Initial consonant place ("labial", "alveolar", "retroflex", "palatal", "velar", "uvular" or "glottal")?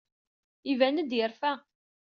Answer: labial